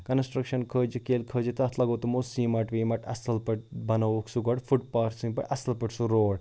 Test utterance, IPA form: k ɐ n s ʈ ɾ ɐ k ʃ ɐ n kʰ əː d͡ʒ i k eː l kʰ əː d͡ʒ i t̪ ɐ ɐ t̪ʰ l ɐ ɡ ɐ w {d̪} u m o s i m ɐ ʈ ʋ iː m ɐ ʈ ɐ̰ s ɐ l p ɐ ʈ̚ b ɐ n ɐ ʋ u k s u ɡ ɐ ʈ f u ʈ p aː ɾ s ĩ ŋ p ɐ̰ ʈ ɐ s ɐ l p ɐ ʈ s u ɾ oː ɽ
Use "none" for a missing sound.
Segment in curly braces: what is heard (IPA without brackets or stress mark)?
t̪